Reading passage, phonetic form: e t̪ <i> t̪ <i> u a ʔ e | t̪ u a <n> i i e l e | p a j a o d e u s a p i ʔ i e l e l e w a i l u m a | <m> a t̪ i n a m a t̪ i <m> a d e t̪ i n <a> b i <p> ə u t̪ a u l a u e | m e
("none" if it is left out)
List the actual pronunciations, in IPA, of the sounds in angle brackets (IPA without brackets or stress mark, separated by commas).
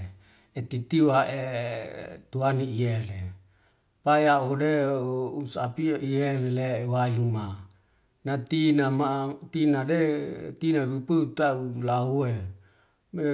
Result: i, i, n, n, n, a, p